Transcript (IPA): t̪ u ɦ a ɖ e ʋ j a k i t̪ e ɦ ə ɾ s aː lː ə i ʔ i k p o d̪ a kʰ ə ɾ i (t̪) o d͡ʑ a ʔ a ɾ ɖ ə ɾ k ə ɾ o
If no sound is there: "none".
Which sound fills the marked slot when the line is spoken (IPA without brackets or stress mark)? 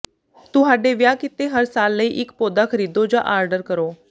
d̪